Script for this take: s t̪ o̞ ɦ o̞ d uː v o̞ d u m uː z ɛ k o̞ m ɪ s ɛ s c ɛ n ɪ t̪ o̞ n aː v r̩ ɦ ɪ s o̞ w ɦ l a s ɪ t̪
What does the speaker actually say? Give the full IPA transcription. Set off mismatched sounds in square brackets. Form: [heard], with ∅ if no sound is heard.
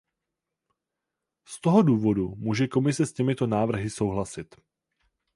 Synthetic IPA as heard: s t̪ o̞ ɦ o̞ d uː v o̞ d u m uː [ʒ] ɛ k o̞ m ɪ s ɛ s c ɛ [m] ɪ t̪ o̞ n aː v r̩ ɦ ɪ s o̞ w ɦ l a s ɪ t̪